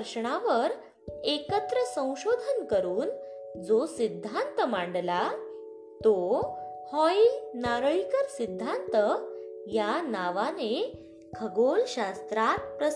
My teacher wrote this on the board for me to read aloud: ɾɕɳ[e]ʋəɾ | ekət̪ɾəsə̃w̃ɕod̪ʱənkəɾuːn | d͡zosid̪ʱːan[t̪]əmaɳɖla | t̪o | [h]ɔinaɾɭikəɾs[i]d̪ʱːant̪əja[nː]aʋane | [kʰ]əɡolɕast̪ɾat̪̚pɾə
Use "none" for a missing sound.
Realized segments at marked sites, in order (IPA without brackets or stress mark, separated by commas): a, t̪, h, i, n, kʰ